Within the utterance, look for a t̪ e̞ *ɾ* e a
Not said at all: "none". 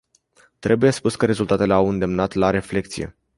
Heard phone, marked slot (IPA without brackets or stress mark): l